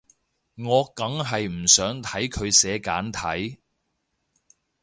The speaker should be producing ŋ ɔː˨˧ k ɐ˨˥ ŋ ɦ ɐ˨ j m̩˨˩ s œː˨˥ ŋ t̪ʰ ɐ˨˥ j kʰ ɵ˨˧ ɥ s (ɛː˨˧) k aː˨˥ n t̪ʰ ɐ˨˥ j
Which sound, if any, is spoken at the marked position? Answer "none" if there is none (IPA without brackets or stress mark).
ɛː˨˧